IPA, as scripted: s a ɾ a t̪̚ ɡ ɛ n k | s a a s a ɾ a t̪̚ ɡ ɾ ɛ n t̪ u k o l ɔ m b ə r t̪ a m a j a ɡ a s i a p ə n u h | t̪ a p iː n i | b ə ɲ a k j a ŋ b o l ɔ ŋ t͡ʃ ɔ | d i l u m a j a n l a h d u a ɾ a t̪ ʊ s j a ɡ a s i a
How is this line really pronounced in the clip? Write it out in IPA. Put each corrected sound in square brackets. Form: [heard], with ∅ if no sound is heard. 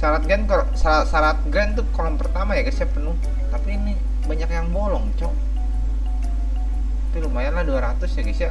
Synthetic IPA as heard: s a ɾ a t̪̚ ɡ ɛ n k | s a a s a ɾ a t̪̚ ɡ ɾ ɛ n t̪ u k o l ɔ m [p] ə r t̪ a m a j a ɡ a s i a p ə n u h | t̪ a p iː n i | b [a] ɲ a k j a ŋ b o l ɔ ŋ t͡ʃ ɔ | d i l u m a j a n l a h d u a ɾ a t̪ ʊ s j a ɡ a s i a